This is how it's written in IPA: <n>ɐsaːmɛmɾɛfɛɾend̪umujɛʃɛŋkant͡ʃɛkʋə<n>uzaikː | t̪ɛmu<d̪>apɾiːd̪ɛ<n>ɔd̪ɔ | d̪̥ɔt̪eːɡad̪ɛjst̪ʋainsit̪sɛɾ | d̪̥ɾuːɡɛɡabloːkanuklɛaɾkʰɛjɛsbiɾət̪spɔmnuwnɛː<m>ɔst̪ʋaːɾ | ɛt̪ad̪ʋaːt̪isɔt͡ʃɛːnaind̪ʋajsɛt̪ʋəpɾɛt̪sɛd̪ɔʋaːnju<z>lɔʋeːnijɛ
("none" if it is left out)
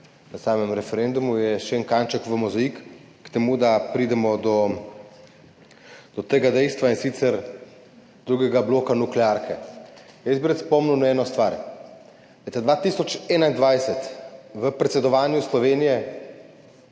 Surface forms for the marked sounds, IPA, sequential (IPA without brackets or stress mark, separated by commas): n, m, d̪, m, n, s